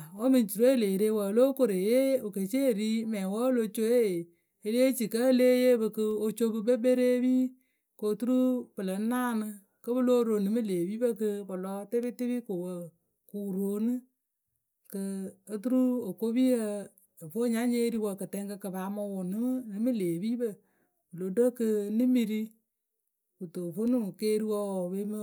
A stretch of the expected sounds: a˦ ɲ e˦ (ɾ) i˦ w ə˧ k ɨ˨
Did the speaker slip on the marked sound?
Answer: no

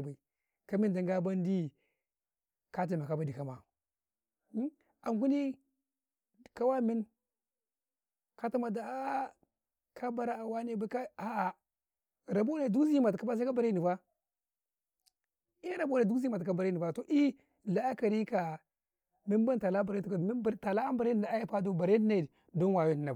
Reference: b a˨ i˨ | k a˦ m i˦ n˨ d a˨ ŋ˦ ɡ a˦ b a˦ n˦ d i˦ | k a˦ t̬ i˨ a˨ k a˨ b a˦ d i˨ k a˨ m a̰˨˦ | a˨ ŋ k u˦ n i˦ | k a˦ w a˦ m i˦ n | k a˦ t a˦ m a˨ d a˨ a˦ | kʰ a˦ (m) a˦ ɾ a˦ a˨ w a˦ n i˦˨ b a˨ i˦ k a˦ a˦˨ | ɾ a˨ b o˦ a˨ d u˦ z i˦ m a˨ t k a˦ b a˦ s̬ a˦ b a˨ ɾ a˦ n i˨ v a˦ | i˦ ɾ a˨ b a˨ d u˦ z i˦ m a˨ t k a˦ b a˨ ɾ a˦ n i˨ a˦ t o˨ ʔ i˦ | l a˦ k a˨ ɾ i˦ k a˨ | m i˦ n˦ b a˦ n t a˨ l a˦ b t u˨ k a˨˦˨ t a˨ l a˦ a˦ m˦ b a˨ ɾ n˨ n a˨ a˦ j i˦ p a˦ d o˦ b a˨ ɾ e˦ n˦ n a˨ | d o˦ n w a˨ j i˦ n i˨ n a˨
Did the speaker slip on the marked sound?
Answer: yes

